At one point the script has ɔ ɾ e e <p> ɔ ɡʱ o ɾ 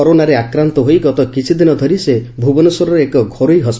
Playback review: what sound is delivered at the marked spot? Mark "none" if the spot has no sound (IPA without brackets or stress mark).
k